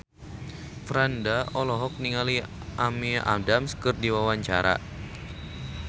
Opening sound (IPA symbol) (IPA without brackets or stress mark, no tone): f